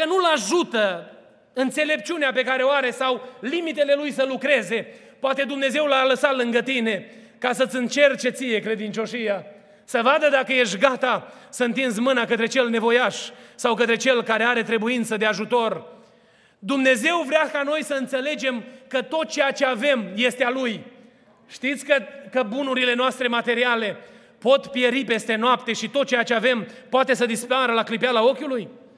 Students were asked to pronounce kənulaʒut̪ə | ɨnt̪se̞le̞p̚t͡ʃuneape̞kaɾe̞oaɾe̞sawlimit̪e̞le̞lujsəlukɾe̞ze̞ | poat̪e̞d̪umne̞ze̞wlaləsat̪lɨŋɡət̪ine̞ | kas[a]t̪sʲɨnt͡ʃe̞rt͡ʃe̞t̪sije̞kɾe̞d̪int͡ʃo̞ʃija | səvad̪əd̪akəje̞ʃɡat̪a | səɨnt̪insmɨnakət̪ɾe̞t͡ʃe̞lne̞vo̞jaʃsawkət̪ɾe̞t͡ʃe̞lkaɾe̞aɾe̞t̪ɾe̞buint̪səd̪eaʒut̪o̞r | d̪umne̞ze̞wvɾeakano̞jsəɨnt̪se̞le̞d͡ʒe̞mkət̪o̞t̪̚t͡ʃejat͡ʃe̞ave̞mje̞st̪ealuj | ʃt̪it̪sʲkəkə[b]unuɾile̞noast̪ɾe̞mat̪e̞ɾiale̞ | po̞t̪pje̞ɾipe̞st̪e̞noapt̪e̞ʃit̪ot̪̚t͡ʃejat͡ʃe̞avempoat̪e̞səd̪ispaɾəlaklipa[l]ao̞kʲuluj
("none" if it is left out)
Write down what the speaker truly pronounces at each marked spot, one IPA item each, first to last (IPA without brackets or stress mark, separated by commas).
ə, b, l